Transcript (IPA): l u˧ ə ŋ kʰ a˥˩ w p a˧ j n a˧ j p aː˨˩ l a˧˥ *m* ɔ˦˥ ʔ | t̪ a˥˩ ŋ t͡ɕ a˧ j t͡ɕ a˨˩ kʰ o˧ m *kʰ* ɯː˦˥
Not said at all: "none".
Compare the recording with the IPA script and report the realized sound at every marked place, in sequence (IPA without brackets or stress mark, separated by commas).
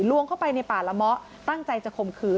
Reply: m, kʰ